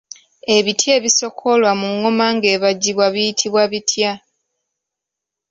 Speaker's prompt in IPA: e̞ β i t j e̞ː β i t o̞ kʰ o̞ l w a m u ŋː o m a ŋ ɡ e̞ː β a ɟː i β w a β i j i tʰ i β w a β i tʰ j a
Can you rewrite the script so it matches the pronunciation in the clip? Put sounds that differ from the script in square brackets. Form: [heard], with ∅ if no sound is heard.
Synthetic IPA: e̞ β i t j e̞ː β i [s] o̞ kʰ o̞ l w a m u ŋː o m a ŋ ɡ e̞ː β a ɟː i β w a β i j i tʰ i β w a β i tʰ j a

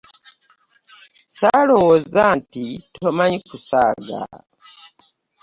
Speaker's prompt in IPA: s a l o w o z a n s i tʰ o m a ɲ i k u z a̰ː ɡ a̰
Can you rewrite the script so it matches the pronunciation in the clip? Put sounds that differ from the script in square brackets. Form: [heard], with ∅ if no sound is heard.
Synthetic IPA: s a l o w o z a n [t] i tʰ o m a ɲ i k u [s] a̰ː ɡ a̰

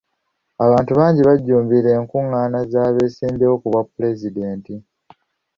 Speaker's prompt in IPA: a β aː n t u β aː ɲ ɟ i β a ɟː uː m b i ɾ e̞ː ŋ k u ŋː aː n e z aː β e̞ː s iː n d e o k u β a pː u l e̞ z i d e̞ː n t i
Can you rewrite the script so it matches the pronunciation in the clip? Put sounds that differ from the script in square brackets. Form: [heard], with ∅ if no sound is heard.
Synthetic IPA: a β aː n t u β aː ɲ ɟ i β a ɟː uː m b i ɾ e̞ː ŋ k u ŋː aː n [a] z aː β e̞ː s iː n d e o k u β a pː u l e̞ z i d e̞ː n t i

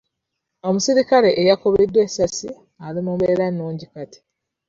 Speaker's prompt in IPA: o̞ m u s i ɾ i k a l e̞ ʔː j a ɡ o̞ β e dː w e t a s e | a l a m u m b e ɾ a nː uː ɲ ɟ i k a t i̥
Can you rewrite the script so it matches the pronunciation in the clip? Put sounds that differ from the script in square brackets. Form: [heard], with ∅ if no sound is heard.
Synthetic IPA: o̞ m u s i ɾ i k a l e̞ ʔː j a [k] o̞ β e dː w e [s] a s [i] | a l [i] m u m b e ɾ a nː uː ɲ ɟ i k a t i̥

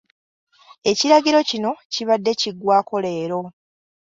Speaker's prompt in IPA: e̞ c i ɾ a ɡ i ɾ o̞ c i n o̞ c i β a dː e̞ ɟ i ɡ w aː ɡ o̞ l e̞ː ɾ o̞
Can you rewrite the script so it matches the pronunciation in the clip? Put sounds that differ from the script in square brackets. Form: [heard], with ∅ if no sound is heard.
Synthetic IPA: e̞ c i ɾ a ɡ i ɾ o̞ c i n o̞ c i β a dː e̞ [c] i ɡ w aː [k] o̞ l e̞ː ɾ o̞

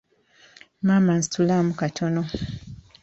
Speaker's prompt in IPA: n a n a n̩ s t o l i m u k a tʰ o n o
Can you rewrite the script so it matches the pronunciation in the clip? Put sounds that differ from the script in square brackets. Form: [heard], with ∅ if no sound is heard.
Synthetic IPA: [m] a [m] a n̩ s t [u] l [a] m u k a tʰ o n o

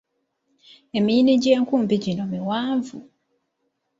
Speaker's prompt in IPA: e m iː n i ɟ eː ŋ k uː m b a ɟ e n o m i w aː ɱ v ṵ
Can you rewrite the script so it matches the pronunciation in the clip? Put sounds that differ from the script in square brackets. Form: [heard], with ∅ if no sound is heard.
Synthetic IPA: e m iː n i ɟ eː ŋ k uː m b [i] ɟ [i] n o m i w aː ɱ v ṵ

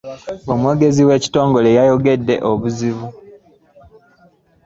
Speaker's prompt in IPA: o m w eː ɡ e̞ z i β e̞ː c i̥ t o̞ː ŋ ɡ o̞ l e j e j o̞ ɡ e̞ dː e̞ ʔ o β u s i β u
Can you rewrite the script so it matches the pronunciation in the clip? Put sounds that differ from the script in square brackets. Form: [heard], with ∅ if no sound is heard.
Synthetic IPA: o m w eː ɡ e̞ z i [w] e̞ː c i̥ t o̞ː ŋ ɡ o̞ l e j [a] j o̞ ɡ e̞ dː e̞ ʔ o β u [z] i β u

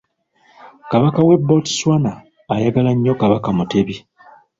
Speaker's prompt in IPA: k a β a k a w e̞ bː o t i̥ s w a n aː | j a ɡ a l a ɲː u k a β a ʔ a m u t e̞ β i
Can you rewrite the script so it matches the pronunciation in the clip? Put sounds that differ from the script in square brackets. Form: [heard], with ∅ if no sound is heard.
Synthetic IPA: k a β a k a w e̞ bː o t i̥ s w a n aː | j a ɡ a l a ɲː [o] k a β a [k] a m u t e̞ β i

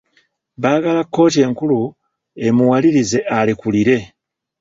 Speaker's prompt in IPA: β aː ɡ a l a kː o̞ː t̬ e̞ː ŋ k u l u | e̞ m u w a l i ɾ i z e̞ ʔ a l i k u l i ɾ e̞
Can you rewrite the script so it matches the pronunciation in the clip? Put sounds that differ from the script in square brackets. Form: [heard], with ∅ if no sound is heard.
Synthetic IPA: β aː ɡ a l a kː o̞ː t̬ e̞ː ŋ k u l u | e̞ m u w a l i ɾ i z e̞ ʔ a l i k u l i ɾ e̞

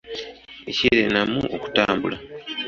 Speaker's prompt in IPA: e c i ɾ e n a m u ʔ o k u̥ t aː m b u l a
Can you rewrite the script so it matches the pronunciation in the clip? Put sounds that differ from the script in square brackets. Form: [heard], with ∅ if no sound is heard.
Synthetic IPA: e c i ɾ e n a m u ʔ o k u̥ t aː m b u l a

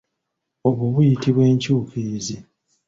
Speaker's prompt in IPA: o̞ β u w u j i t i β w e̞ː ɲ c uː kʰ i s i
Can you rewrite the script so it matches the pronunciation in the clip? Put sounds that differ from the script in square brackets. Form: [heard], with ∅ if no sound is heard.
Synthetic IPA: o̞ β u [β] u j i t i β w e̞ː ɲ c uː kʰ i [z] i

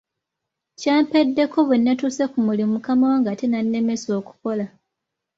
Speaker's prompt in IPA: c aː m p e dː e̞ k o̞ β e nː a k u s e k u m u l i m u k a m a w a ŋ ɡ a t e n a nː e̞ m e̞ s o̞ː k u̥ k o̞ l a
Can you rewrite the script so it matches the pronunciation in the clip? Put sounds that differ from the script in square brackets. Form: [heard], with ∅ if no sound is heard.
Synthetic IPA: c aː m p e dː e̞ k o̞ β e nː a [t] u s e k u m u l i m u k a m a w a ŋ ɡ a t e n a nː e̞ m e̞ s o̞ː k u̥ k o̞ l a

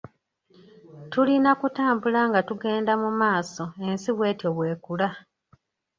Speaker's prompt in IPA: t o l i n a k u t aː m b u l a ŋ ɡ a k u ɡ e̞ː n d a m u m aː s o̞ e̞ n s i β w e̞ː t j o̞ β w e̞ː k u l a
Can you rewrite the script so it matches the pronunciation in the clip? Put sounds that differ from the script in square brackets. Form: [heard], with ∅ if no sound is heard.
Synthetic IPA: t [u] l i n a k u t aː m b u l a ŋ ɡ a [t] u ɡ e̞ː n d a m u m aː s o̞ e̞ n s i β w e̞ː t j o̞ β w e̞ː k u l a

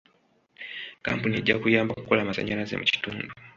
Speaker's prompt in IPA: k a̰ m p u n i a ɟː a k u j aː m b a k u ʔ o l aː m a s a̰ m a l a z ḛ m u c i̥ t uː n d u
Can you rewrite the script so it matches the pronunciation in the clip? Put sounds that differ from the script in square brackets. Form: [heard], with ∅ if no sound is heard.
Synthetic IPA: k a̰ m p u n i [e] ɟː a k u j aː m b a k u [k] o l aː m a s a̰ [ɲ] a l a z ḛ m u c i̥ t uː n d u

